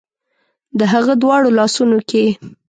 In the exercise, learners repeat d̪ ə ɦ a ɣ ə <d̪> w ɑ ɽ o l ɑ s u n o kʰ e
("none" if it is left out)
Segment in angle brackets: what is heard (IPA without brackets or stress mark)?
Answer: d̪